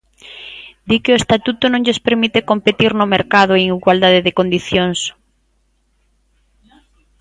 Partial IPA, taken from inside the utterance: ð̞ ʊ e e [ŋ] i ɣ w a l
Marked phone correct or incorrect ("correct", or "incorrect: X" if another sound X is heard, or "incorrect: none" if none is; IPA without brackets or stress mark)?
correct